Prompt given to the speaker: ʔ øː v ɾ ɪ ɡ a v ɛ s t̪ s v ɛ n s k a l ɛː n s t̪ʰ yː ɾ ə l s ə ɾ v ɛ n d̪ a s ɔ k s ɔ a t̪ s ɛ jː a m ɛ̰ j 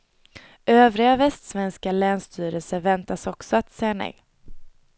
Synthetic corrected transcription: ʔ øː v ɾ ɪ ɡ a v ɛ s t̪ s v ɛ n s k a l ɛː n s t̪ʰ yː ɾ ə l s ə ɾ v ɛ n t̪ a s ɔ k s ɔ a t̪ s ɛ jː a n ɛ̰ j